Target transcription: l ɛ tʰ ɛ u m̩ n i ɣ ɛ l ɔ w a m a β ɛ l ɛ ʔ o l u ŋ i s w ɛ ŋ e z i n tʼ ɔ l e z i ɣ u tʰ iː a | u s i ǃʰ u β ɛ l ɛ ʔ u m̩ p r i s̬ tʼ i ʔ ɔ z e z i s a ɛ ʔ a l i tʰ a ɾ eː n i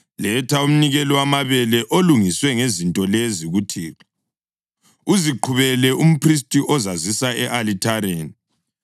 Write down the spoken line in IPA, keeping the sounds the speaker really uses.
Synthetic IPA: l ɛ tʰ a u m̩ n i ɣ ɛ l ɔ w a m a β ɛ l ɛ ʔ o l u ŋ i s w ɛ ŋ e z i n tʼ ɔ l e z i ɣ u tʰ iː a | u z i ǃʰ u β ɛ l ɛ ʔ u m̩ p r i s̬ tʼ i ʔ ɔ z a z i s a ɛ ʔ a l i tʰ a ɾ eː n i